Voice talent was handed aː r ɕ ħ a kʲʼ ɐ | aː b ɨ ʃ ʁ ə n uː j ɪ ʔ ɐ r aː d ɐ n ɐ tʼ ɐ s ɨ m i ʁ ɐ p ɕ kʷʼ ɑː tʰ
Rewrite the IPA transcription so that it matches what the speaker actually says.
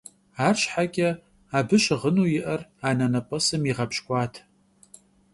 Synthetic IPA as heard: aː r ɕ ħ a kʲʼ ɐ | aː b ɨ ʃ ʁ ə n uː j ɪ ʔ ɐ r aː n ɐ n ɐ pʼ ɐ s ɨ m i ʁ ɐ p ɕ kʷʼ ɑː tʰ